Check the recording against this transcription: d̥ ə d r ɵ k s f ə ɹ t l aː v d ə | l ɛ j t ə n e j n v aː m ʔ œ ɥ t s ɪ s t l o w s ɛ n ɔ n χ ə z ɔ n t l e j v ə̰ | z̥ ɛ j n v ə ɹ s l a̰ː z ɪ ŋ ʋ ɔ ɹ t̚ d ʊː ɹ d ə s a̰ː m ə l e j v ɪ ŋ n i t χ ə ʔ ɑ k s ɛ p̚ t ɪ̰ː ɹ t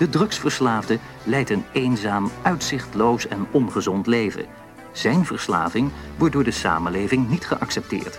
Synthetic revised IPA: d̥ ə d r ɵ k s f ə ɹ s l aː v d ə | l ɛ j t ə n e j n z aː m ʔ œ ɥ t s ɪ χ t l o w s ɛ n ɔ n χ ə z ɔ n t l e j v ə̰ | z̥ ɛ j n v ə ɹ s l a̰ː v ɪ ŋ ʋ ɔ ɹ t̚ d ʊː ɹ d ə s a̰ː m ə l e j v ɪ ŋ n i t χ ə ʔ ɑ k s ɛ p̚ t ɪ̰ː ɹ t